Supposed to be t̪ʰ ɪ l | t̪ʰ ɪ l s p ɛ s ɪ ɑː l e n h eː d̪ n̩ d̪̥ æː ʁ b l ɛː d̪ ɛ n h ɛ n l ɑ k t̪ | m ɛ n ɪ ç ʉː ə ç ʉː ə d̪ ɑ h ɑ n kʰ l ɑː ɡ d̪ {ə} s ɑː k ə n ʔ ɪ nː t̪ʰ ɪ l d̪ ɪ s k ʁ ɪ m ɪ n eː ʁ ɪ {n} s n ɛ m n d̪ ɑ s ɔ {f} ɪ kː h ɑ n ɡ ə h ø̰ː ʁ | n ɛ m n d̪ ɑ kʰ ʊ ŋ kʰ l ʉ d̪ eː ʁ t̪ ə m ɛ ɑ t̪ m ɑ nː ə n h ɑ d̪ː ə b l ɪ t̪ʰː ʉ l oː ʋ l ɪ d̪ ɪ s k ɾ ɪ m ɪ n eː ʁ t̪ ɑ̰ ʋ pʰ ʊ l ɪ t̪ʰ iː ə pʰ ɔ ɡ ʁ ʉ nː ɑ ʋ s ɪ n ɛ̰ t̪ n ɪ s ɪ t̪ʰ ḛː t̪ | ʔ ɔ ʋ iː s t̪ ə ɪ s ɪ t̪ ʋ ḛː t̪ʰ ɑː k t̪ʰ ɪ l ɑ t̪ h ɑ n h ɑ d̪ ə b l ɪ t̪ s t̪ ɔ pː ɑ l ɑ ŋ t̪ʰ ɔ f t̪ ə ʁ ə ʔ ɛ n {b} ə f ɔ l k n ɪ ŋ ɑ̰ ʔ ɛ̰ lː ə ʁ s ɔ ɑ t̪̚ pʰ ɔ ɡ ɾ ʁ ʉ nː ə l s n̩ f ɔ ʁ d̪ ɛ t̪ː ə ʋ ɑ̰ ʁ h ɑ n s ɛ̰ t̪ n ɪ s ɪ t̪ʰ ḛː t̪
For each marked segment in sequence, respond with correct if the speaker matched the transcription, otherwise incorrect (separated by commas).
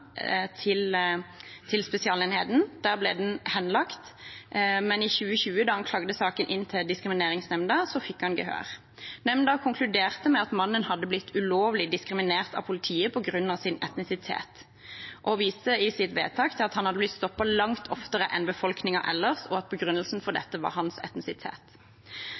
correct, incorrect, correct, correct